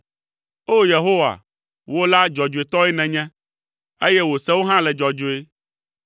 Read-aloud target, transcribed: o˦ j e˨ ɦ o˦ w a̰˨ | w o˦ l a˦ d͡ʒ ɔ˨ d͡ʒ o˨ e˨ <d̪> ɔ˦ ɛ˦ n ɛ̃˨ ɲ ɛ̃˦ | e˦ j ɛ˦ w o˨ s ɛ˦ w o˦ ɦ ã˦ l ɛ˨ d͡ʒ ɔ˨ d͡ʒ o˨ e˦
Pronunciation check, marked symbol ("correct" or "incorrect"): incorrect